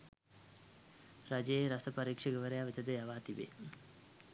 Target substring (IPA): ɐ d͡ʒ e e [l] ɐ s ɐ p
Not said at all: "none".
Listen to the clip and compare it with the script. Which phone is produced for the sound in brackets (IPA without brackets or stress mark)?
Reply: ɾ